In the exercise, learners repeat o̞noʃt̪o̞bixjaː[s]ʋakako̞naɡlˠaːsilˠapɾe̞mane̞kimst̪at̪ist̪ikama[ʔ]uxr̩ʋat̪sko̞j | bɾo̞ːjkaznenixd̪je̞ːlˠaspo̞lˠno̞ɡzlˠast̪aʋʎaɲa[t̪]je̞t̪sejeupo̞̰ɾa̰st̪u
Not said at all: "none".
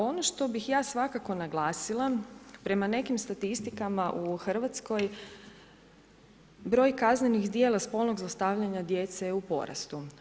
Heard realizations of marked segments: s, ʔ, d̪

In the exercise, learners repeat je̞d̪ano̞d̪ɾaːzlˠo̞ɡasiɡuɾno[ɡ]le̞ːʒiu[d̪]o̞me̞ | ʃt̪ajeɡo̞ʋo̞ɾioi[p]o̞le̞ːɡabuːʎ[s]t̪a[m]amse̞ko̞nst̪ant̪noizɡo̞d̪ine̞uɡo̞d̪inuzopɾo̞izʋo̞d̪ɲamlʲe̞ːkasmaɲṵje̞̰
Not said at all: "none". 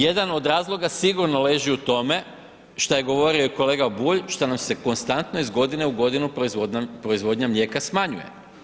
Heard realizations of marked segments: none, t̪, k, ʃ, n

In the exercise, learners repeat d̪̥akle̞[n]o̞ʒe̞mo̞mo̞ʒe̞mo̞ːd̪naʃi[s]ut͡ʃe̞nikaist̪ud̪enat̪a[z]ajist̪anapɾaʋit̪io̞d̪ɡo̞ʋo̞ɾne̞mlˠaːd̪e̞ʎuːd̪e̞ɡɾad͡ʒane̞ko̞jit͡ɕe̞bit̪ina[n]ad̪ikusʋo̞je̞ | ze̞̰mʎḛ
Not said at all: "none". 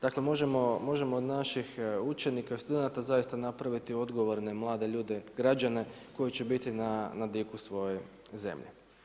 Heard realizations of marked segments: m, x, z, n

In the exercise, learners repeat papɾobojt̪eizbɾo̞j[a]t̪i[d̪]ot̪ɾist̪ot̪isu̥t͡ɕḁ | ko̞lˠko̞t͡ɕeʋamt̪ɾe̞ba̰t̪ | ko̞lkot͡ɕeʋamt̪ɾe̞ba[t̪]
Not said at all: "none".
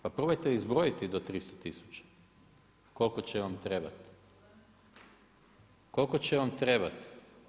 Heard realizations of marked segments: i, d̪, t̪

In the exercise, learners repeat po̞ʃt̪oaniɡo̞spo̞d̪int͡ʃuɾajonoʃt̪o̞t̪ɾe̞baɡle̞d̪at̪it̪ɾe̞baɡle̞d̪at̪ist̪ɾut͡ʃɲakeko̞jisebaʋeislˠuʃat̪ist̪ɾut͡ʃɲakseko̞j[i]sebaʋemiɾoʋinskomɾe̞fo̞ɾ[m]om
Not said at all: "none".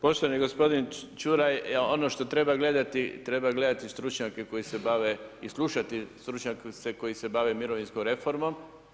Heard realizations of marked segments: i, m

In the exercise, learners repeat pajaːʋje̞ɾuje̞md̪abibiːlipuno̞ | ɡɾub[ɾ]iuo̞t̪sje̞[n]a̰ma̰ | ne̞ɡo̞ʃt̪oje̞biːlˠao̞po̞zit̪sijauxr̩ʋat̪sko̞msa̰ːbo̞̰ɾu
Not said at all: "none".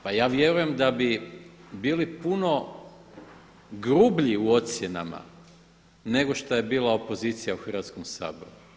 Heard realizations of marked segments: ʎ, n

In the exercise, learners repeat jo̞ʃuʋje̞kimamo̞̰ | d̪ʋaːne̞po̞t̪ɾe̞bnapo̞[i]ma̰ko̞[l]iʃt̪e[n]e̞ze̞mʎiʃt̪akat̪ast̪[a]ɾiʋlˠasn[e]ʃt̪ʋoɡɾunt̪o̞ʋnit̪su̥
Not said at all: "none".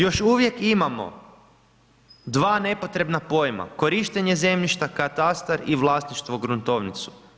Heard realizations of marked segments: j, ɾ, ɲ, a, i

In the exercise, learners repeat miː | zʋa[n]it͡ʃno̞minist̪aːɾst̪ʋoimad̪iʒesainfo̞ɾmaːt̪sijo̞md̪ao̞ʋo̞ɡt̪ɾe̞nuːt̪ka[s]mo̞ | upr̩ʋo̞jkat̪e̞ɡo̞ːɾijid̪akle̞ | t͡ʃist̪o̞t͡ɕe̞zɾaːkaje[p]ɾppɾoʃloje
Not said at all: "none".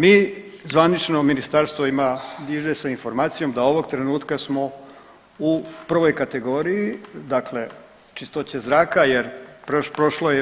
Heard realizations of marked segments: n, s, none

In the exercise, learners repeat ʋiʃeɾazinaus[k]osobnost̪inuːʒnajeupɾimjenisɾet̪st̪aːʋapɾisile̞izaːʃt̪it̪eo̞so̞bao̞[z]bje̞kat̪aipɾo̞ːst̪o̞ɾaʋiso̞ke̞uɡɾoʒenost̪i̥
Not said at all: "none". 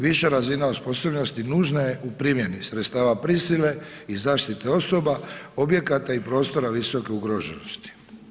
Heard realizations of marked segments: p, none

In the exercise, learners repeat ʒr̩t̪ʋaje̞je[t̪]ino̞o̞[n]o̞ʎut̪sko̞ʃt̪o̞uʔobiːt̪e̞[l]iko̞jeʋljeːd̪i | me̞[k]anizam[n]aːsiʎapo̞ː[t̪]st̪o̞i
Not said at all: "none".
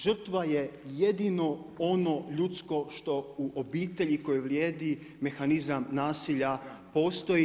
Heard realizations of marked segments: d̪, n, ʎ, x, n, none

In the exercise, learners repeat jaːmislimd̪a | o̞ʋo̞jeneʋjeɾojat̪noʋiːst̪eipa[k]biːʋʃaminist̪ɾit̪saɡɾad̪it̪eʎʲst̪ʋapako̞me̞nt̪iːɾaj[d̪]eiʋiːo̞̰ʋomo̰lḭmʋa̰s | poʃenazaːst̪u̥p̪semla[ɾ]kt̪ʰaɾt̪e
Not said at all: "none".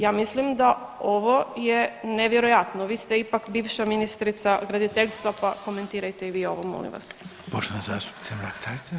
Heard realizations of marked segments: k, t̪, none

